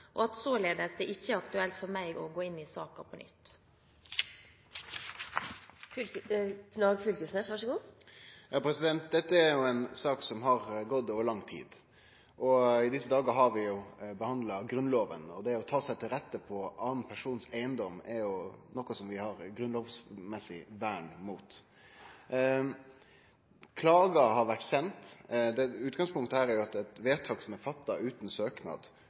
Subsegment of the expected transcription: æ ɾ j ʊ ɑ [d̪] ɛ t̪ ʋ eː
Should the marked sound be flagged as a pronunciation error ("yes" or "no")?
yes